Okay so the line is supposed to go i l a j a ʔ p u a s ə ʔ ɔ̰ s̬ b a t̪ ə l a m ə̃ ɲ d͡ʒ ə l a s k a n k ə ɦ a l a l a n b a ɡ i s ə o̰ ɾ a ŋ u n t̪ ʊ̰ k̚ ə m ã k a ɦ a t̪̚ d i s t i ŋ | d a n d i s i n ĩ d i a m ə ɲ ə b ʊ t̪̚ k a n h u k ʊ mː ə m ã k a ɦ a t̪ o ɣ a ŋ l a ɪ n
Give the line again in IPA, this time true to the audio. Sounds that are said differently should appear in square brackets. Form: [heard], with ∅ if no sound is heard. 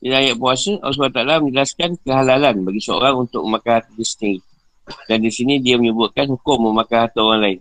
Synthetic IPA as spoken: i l a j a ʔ p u a s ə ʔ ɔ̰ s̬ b a t̪ [a] l a m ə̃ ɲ d͡ʒ ə l a s k a n k ə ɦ a l a l a n b a ɡ i s ə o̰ ɾ a ŋ u n t̪ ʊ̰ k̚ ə m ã k a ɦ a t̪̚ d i s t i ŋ | d a n d i s i n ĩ d i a m ə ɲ ə b ʊ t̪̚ k a n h u k ʊ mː ə m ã k a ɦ a t̪ o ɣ a ŋ l a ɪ n